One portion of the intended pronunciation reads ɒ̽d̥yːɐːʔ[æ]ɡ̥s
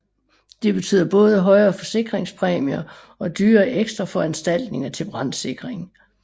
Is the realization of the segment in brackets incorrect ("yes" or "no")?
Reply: yes